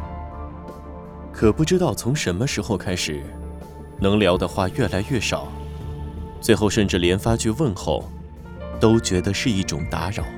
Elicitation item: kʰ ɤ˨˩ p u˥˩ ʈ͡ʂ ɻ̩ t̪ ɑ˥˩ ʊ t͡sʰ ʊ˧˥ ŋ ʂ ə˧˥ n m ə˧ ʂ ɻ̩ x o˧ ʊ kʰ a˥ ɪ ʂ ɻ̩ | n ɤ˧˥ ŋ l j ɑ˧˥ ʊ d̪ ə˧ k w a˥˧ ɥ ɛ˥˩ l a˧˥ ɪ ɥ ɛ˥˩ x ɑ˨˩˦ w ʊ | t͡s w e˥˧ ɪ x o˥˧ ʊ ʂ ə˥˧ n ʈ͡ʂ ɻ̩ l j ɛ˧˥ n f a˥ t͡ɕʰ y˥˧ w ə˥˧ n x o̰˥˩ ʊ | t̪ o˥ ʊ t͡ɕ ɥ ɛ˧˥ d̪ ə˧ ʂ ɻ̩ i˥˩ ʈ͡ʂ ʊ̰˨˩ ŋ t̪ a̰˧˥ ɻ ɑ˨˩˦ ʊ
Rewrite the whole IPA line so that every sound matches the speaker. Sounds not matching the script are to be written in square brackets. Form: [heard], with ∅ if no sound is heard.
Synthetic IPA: kʰ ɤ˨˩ p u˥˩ ʈ͡ʂ ɻ̩ t̪ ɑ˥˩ ʊ t͡sʰ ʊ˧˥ ŋ ʂ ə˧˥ n m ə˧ ʂ ɻ̩ x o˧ ʊ kʰ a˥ ɪ ʂ ɻ̩ | n ɤ˧˥ ŋ l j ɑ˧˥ ʊ d̪ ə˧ [x] w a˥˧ ɥ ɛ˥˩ l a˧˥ ɪ ɥ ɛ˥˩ [ʂ] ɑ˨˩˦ [∅] ʊ | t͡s w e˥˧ ɪ x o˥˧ ʊ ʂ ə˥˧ n ʈ͡ʂ ɻ̩ l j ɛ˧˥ n f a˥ t͡ɕʰ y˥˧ w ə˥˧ n x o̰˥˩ ʊ | t̪ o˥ ʊ t͡ɕ ɥ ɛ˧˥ d̪ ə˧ ʂ ɻ̩ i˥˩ ʈ͡ʂ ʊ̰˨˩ ŋ t̪ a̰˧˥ ɻ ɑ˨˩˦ ʊ